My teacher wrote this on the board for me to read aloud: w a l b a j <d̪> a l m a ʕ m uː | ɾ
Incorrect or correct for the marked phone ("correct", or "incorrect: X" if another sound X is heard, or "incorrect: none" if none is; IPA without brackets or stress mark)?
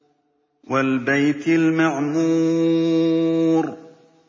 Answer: incorrect: t̪